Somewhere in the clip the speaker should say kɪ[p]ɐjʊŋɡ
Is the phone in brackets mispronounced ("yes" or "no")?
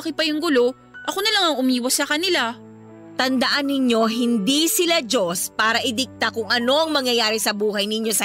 no